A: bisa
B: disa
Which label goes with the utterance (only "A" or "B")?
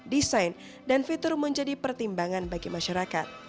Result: B